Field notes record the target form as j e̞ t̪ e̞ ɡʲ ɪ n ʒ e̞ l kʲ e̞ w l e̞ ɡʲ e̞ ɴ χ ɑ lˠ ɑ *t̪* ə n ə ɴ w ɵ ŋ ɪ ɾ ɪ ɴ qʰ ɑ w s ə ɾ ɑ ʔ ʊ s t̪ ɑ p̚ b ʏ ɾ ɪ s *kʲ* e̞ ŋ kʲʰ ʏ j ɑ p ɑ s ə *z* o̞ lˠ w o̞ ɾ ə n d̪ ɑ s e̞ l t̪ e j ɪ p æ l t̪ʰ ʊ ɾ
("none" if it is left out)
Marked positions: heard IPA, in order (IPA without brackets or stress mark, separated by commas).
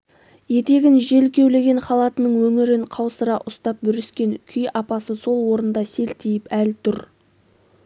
t̪, kʲ, s